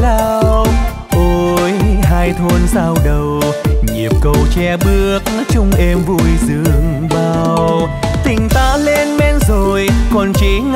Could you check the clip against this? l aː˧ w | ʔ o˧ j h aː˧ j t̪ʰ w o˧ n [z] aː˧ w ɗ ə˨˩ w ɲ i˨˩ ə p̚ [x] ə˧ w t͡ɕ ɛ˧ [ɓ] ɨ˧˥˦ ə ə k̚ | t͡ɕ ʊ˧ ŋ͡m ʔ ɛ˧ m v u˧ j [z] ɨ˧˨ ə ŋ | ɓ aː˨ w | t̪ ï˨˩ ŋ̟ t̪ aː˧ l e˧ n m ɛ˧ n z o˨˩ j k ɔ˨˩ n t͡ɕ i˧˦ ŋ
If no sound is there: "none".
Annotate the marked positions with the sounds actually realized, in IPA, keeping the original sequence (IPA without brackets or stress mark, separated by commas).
s, k, ɓ, z